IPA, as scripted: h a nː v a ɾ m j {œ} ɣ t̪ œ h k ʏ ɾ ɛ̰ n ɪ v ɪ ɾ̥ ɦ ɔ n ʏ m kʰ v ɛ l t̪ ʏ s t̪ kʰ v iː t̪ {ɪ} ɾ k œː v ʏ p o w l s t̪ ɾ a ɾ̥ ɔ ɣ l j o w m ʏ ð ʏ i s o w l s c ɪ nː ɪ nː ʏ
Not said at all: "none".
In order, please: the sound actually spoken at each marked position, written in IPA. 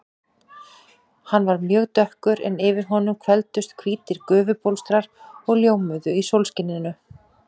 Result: œː, ɪ

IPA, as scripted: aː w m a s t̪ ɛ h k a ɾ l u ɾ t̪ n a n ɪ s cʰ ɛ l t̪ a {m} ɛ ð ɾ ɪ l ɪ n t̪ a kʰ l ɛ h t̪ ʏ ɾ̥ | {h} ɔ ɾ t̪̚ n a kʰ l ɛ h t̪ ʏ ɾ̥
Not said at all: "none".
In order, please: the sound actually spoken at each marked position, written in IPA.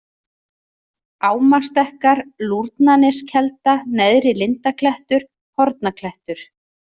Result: n, h

